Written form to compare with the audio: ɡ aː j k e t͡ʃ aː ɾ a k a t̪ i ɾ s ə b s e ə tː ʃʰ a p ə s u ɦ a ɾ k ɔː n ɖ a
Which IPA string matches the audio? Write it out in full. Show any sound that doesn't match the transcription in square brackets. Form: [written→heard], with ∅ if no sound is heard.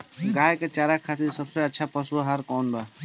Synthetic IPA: ɡ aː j k e t͡ʃ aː ɾ a [k→kʰ] a t̪ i ɾ s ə b s e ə tː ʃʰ a p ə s u ɦ a ɾ k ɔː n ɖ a